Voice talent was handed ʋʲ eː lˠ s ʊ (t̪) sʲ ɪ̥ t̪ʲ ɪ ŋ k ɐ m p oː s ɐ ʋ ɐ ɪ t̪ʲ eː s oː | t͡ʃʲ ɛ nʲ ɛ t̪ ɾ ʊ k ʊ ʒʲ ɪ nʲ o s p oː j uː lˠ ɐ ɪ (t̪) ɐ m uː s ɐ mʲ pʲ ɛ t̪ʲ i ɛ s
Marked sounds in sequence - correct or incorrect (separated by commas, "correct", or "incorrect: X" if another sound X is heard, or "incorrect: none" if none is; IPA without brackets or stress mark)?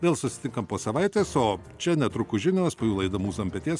incorrect: none, incorrect: d̪